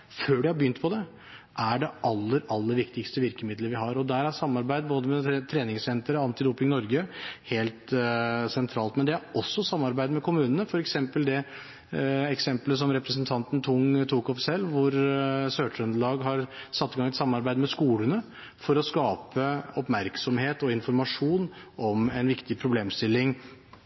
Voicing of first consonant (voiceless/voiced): voiceless